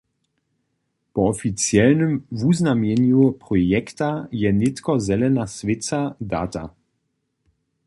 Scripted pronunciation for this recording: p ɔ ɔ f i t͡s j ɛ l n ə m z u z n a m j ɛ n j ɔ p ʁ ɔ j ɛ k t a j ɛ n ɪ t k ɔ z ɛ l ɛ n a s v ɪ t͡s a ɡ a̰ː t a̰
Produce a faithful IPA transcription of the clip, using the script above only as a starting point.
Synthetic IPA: p ɔ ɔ f i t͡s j ɛ l n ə m v u z n a m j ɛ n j u p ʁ ɔ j ɛ k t a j ɛ n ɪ t k ɔ z ɛ l ɛ n a s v ɪ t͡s a d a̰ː t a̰